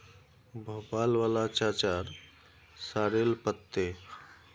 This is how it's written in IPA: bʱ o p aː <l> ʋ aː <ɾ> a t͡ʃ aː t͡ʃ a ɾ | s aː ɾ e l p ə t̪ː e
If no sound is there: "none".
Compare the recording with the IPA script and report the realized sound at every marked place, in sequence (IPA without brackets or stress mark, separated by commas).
l, l